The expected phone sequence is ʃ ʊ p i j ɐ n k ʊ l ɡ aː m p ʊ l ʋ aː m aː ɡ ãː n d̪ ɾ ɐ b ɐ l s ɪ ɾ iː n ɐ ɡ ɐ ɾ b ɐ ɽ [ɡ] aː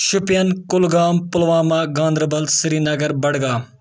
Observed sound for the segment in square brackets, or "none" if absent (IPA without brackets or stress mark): ɡ